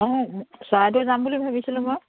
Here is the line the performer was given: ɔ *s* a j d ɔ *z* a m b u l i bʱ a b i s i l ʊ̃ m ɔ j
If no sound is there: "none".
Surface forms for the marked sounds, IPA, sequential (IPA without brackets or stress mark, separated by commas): s, z